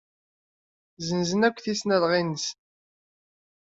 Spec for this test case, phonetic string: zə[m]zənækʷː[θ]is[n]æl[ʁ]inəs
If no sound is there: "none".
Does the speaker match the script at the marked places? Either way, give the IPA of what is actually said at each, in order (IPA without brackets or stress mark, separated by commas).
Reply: n, θ, n, ʁ